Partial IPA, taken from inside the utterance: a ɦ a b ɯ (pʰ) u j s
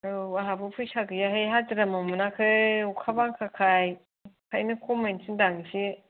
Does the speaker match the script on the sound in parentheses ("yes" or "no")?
yes